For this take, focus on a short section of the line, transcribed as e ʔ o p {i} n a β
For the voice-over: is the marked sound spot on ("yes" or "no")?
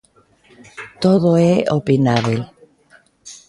yes